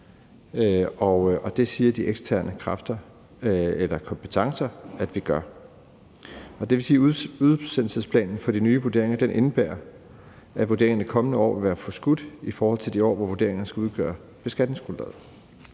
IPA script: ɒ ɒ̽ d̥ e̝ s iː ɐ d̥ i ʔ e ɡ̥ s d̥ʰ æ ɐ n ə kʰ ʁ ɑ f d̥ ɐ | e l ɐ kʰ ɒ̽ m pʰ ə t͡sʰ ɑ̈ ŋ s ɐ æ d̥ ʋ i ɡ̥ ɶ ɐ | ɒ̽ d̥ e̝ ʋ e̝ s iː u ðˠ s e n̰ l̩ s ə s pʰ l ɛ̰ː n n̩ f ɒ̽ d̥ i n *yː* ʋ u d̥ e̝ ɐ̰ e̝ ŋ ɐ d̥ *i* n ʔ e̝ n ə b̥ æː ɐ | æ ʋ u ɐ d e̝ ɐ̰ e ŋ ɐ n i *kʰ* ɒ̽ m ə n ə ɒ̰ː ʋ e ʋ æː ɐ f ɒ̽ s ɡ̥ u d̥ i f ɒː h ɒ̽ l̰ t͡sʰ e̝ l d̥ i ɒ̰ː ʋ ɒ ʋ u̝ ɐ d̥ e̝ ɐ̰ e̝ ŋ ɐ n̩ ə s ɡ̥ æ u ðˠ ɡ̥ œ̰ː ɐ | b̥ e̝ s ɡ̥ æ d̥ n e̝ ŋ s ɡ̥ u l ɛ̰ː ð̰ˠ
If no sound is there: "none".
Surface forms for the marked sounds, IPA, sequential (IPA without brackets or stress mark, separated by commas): yː, e, kʰ